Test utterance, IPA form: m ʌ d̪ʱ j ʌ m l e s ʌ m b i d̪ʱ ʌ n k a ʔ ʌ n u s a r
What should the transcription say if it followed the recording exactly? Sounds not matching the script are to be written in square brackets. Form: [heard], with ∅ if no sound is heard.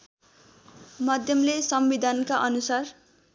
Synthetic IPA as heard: m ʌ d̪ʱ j ʌ m l e s ʌ m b i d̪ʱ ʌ n k a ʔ ʌ n u s a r